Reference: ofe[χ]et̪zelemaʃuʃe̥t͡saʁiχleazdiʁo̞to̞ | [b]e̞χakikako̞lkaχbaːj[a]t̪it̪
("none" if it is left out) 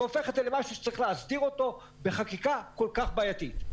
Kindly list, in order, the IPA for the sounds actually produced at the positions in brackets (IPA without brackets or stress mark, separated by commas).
χ, b, a